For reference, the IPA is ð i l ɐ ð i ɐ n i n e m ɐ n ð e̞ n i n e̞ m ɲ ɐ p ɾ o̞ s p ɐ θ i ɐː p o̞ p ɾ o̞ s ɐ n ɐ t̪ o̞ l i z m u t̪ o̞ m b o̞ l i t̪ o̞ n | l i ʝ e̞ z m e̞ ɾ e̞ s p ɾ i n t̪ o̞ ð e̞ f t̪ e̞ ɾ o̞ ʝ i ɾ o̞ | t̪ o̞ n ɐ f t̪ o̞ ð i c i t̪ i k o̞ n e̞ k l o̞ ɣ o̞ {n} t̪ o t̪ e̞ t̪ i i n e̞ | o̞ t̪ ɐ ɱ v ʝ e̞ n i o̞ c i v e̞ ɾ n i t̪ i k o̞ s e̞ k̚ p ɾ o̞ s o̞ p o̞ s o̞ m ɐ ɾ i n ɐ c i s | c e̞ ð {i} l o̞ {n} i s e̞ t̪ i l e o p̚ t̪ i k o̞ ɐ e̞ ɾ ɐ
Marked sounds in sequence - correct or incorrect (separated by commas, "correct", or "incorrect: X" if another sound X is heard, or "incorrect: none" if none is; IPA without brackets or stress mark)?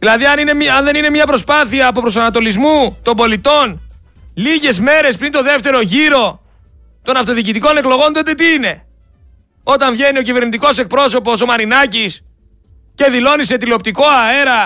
correct, correct, correct